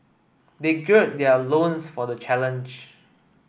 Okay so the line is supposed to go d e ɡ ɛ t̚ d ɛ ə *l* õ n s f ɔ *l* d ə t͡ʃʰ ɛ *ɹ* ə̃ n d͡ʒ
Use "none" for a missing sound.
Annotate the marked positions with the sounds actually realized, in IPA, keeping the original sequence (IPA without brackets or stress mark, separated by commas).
l, none, l